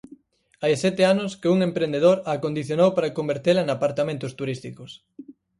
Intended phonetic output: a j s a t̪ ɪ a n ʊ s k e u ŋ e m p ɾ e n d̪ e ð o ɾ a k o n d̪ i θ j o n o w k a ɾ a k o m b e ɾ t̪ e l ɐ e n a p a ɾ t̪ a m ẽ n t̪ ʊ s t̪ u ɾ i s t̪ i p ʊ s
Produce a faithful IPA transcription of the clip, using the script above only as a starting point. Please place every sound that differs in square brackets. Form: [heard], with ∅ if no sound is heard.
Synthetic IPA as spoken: a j s [ɛ] t̪ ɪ a n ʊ s k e u ŋ e m p ɾ e n d̪ e ð o ɾ a k o n d̪ i θ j o n o w [p] a ɾ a k o m b e ɾ t̪ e l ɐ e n a p a ɾ t̪ a m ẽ n t̪ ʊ s t̪ u ɾ i s t̪ i [k] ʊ s